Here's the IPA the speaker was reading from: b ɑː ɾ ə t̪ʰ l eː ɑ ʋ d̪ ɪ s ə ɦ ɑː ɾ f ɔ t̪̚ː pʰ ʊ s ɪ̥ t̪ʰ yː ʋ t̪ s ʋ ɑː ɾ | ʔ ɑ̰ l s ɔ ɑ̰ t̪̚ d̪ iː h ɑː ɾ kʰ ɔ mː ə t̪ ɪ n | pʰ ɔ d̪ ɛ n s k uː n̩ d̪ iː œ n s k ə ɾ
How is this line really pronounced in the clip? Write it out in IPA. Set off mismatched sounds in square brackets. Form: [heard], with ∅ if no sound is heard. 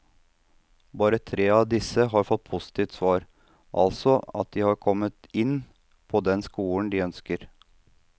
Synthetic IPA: b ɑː ɾ ə t̪ʰ [ɾ] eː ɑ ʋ d̪ ɪ s ə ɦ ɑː ɾ f ɔ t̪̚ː pʰ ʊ s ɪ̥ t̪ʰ [iː] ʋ t̪ s ʋ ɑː ɾ | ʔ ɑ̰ l s ɔ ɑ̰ t̪̚ d̪ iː h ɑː ɾ kʰ ɔ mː ə t̪ ɪ n | pʰ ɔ d̪ ɛ n s k uː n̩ d̪ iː œ n s k ə ɾ